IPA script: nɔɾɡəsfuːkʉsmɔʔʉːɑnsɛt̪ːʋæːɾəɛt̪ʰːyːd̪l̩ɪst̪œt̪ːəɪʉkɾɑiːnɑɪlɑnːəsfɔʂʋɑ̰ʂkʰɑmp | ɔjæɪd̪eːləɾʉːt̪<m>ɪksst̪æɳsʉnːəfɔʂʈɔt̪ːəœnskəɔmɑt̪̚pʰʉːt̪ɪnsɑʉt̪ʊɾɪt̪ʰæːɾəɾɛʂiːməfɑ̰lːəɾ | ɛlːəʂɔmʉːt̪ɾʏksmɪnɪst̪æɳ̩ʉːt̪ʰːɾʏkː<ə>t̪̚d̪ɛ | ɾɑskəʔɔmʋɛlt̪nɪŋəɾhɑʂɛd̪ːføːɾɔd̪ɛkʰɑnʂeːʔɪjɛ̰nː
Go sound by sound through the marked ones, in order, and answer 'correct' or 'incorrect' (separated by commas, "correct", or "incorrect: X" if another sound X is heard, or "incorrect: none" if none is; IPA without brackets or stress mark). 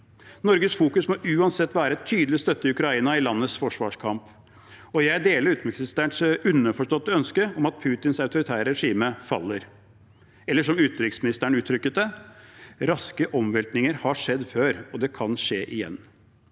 correct, correct